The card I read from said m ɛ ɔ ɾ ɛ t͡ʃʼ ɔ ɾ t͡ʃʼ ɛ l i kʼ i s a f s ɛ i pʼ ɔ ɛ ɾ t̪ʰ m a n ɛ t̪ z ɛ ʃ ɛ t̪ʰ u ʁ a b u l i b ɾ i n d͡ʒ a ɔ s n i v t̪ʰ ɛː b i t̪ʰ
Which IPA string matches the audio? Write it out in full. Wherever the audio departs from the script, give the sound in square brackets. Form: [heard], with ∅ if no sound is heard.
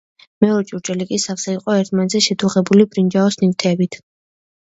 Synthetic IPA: m ɛ ɔ ɾ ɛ t͡ʃʼ [u] ɾ t͡ʃʼ ɛ l i kʼ i s a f s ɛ i [qʼ] ɔ ɛ ɾ t̪ʰ m a n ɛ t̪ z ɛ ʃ ɛ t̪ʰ u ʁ [ɛ] b u l i b ɾ i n d͡ʒ a ɔ s n i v t̪ʰ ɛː b i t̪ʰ